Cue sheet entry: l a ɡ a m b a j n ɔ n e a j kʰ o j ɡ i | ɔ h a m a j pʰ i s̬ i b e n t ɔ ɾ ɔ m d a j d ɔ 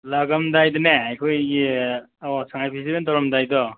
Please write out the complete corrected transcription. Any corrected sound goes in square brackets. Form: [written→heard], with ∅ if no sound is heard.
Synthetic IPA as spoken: l a ɡ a m [b→d] a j [n→d] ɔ n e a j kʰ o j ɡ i | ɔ [h→s] a [m→ŋ] a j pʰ i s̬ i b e n t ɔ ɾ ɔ m d a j d ɔ